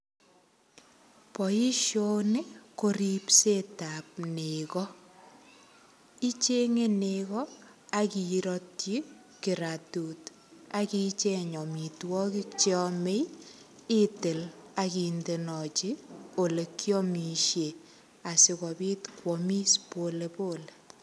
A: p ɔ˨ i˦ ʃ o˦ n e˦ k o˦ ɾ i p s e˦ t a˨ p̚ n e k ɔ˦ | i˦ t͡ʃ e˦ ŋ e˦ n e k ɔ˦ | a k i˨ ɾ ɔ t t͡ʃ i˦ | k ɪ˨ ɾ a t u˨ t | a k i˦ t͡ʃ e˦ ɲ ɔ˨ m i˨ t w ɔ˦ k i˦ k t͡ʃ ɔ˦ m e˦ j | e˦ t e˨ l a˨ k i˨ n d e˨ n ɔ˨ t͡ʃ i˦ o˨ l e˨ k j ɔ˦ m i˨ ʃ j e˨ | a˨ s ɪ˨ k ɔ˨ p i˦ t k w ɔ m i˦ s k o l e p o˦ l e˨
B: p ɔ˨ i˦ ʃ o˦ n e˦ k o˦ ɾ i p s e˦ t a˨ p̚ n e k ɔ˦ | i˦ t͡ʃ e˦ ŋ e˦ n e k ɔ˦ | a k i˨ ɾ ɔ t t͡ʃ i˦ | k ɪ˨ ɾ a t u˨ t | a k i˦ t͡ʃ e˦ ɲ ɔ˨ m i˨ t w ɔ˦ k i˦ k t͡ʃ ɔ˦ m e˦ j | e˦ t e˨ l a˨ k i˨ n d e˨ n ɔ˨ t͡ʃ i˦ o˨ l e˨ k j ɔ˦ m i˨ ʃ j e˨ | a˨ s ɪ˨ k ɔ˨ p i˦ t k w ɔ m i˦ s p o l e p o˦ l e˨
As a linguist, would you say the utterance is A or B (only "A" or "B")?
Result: B